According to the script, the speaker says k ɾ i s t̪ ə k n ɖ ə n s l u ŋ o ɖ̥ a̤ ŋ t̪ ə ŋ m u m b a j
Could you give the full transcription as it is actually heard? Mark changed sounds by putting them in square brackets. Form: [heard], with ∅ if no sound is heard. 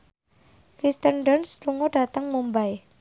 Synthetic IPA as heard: k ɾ i s t̪ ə [∅] n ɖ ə n s l u ŋ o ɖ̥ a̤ [∅] t̪ ə ŋ m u m b a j